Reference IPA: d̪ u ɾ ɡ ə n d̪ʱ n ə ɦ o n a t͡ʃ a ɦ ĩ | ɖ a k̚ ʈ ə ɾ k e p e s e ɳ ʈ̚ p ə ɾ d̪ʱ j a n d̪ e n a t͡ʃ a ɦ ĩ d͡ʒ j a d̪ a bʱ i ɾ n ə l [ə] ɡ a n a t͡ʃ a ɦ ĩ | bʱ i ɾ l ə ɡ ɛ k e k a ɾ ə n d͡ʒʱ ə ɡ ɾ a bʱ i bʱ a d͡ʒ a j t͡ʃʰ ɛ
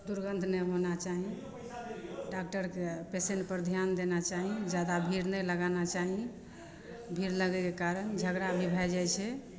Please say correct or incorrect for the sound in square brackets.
correct